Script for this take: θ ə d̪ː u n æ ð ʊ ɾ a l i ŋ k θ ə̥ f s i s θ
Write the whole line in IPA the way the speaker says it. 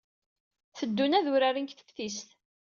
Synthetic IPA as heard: θ ə d̪ː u n æ ð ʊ ɾ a ɾ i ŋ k θ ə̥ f θ i s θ